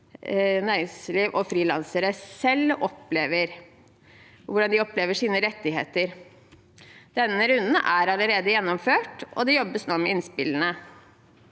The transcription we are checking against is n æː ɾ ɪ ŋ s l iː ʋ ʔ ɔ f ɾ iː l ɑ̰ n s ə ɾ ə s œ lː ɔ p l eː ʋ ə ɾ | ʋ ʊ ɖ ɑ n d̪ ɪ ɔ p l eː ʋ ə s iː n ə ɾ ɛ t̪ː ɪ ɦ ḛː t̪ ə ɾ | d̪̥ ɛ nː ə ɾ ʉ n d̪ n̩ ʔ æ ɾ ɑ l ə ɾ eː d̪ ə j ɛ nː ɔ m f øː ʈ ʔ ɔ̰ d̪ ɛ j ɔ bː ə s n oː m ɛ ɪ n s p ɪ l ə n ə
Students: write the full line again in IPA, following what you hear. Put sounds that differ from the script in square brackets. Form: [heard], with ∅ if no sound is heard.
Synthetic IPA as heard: n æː ɾ ɪ ŋ s l iː ʋ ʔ ɔ f ɾ iː l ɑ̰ n s ə ɾ ə s [ɛ] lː ɔ p l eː ʋ ə ɾ | ʋ ʊ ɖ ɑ n d̪ ɪ ɔ p l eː ʋ ə [ʂ] iː n ə ɾ ɛ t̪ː ɪ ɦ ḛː t̪ ə ɾ | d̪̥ ɛ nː ə ɾ ʉ n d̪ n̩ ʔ æ ɾ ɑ l ə ɾ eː d̪ ə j ɛ nː ɔ m f øː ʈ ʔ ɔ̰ d̪ ɛ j ɔ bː ə s n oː m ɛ ɪ n s p ɪ l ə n ə